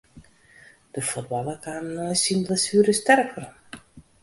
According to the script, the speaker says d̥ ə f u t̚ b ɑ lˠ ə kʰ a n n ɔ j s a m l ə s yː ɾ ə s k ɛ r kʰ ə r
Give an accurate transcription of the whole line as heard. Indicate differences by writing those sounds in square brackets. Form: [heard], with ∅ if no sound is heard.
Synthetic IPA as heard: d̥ ə f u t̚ b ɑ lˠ ə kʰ a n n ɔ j s [i] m l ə s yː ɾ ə s [t] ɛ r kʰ ə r